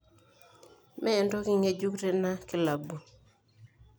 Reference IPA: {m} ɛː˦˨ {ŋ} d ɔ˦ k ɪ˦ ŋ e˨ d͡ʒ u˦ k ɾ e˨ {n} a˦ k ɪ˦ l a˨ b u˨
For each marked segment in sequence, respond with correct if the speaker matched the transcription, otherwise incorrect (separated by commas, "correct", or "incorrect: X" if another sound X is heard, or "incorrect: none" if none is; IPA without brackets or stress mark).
correct, incorrect: n, correct